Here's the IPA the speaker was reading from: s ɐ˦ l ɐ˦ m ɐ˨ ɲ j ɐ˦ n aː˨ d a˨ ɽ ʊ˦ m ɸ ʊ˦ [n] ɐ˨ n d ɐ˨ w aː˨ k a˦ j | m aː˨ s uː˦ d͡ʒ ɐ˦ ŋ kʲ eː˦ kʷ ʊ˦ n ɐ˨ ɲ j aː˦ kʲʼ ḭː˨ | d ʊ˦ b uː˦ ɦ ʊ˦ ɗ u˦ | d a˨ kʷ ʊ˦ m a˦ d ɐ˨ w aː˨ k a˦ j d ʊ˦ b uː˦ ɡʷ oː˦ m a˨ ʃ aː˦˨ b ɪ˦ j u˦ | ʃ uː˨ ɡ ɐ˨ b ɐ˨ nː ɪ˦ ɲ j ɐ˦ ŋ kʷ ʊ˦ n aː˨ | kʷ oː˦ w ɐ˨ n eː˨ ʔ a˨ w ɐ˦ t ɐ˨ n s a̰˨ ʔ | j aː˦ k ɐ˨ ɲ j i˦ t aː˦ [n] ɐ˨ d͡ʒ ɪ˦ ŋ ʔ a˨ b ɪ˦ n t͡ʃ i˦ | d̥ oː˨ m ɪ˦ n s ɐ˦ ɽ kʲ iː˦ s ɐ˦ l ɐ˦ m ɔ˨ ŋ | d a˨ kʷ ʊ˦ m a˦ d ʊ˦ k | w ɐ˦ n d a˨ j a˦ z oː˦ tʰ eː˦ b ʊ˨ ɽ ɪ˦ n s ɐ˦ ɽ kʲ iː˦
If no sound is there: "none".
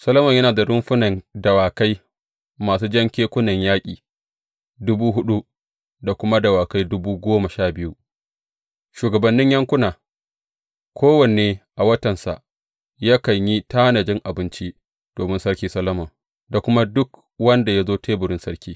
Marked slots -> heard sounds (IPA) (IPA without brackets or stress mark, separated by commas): n, n